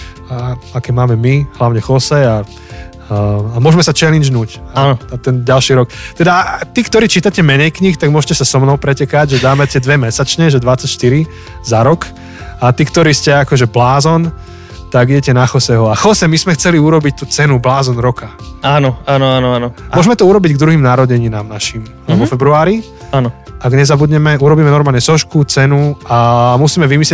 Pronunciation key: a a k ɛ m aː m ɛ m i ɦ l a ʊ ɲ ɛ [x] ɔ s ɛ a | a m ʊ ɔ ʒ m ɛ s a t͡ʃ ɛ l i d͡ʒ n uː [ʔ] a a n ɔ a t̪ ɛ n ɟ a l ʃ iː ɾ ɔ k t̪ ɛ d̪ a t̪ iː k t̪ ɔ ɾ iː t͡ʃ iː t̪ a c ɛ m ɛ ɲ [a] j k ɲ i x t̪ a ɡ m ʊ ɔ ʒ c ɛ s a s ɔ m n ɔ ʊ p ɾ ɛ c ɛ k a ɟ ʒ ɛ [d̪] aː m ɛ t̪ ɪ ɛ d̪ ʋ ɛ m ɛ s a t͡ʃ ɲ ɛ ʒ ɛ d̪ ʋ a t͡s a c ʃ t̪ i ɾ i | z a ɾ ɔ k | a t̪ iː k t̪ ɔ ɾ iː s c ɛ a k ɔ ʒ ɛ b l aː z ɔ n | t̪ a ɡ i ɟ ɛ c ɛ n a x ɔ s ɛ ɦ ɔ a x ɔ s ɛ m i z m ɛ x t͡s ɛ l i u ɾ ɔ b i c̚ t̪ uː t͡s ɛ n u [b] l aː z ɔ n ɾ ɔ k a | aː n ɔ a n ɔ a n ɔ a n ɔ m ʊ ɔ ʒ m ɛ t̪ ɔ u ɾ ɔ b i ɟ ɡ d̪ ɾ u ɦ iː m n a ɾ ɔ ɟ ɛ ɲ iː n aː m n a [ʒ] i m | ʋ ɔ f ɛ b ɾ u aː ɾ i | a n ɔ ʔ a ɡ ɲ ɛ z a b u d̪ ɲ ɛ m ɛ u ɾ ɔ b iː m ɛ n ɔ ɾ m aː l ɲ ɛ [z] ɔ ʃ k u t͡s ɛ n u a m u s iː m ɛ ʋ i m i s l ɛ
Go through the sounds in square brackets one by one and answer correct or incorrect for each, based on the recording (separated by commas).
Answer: correct, incorrect, incorrect, correct, correct, incorrect, incorrect